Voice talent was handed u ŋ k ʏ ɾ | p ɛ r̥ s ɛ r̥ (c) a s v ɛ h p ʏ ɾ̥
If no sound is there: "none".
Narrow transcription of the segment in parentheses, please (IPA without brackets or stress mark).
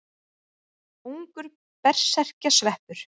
c